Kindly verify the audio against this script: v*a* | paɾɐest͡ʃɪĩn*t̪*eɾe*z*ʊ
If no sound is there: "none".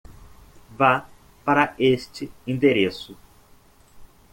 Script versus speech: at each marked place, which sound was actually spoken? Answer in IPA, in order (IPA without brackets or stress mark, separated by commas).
a, d̪, s